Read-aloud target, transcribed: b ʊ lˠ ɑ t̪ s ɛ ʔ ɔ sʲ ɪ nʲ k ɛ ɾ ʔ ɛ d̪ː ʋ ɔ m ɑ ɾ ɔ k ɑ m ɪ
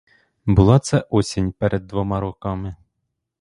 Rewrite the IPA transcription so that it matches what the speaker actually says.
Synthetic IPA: b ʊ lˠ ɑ t̪ s ɛ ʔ ɔ sʲ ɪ nʲ p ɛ ɾ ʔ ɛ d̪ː ʋ ɔ m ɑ ɾ ɔ k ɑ m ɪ